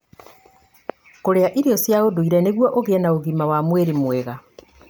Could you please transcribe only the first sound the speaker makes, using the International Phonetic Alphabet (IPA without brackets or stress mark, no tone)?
k